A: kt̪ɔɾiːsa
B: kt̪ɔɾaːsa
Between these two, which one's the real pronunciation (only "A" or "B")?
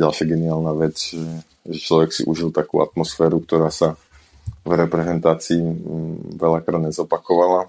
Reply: B